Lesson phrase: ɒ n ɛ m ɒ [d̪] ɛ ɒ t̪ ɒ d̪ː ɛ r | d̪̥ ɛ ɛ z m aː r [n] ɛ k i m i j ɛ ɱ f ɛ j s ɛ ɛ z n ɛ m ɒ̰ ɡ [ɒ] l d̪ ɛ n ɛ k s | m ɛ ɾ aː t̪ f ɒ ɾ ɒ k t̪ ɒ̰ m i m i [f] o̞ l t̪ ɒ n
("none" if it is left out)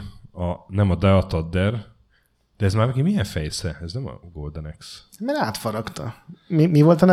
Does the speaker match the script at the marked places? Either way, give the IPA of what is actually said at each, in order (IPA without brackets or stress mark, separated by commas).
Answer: d̪, n, o, v